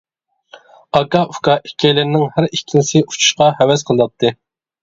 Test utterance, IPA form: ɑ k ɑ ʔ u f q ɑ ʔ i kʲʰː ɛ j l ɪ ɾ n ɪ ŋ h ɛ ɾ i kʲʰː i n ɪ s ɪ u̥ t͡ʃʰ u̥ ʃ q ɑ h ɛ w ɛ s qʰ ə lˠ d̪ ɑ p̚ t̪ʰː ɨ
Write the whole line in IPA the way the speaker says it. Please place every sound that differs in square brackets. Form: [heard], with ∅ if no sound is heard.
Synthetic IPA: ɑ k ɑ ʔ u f [k] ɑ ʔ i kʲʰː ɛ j l ɪ ɾ n ɪ ŋ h [æ] ɾ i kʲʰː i n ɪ s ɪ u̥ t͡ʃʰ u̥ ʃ q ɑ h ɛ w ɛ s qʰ ə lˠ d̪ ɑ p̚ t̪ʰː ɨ